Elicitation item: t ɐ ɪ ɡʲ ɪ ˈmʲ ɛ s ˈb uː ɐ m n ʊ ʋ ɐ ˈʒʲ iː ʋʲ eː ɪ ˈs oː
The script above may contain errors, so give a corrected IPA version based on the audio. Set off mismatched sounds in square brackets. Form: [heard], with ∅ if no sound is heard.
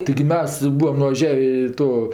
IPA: t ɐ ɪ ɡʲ ɪ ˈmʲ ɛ s ˈb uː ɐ m n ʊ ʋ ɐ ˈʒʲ [æː] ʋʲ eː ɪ [ˈt] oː